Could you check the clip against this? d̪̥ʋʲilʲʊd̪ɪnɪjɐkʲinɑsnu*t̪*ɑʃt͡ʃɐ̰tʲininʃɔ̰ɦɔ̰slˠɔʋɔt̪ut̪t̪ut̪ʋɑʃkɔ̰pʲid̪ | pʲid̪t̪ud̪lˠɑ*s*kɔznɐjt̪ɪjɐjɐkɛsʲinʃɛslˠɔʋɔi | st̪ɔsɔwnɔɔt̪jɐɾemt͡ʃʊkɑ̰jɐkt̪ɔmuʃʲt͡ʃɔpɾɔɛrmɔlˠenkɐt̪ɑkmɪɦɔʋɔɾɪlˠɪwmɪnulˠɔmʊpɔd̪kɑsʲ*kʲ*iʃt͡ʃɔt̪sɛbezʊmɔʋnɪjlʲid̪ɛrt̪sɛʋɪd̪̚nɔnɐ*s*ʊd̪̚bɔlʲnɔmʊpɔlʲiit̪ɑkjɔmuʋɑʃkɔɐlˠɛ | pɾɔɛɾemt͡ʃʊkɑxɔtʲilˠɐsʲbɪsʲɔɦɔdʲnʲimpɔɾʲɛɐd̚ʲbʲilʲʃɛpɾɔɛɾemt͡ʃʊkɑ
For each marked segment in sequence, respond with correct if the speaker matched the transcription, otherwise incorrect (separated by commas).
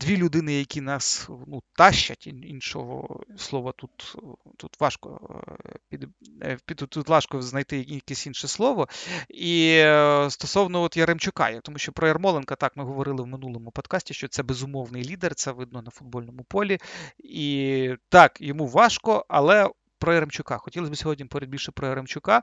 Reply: correct, incorrect, incorrect, incorrect